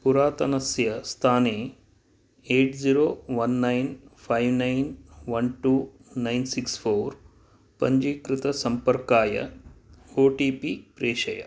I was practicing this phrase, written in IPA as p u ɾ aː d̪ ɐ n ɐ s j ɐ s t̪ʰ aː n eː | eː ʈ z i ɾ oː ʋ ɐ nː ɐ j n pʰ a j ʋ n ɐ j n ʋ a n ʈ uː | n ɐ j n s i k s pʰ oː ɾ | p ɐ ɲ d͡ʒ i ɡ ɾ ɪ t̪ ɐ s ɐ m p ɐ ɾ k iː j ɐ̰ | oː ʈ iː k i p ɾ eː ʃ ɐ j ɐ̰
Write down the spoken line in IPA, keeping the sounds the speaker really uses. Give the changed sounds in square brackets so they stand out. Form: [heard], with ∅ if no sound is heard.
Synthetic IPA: p u ɾ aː [t̪] ɐ n ɐ s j ɐ s t̪ʰ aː n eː | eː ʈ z i ɾ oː ʋ ɐ nː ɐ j n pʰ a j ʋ n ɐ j n ʋ [ɐ] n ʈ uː | n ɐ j n s i k s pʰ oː ɾ | p ɐ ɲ d͡ʒ i [k] ɾ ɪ t̪ ɐ s ɐ m p ɐ ɾ k [aː] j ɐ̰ | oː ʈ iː [p] i p ɾ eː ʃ ɐ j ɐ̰